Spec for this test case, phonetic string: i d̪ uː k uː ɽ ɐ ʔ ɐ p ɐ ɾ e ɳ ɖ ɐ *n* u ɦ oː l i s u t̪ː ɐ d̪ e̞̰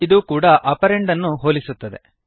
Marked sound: incorrect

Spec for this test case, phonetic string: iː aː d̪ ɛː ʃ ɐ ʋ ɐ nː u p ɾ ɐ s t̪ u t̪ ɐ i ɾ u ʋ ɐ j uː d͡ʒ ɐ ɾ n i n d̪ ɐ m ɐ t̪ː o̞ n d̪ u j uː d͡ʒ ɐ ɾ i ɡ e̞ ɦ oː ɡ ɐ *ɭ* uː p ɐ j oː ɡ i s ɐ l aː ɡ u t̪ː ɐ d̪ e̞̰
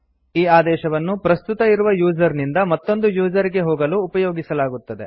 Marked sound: incorrect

